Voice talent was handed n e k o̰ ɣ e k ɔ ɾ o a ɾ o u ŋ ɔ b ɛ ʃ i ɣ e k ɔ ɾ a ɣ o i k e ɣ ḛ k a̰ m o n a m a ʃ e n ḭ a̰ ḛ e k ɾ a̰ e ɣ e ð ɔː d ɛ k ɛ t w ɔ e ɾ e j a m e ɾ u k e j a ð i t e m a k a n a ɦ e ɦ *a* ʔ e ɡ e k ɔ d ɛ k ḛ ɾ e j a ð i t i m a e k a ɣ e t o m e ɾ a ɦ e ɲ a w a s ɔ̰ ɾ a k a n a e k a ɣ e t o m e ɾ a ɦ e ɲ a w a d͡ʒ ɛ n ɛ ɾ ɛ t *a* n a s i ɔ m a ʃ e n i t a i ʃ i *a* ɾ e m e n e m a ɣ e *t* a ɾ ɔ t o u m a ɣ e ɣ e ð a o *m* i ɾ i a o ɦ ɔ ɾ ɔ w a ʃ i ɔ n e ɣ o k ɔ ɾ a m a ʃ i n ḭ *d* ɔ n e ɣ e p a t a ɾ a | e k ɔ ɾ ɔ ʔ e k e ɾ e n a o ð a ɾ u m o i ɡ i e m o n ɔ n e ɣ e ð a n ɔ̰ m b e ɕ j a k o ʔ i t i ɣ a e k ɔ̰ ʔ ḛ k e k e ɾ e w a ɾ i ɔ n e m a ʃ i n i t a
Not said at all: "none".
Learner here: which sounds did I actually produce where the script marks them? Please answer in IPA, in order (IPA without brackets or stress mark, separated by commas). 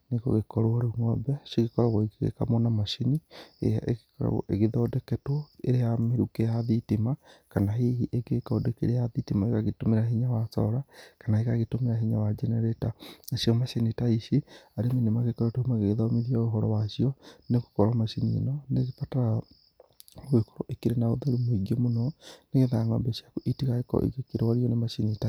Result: i, a, a, k, m, n